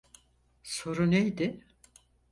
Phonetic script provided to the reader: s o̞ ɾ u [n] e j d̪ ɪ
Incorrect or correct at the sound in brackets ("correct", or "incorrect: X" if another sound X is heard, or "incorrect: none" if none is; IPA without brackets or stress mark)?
correct